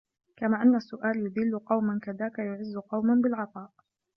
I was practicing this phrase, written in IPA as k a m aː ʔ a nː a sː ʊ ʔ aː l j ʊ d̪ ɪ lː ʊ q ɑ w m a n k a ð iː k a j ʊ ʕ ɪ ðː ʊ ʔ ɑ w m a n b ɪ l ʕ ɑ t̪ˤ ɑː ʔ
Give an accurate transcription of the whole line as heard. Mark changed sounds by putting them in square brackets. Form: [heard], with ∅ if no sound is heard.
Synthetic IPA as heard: k a m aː ʔ a nː a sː ʊ ʔ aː l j ʊ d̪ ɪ lː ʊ q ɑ w m a n k a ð [aː] k a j ʊ ʕ ɪ [zː] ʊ [q] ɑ w m a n b ɪ l ʕ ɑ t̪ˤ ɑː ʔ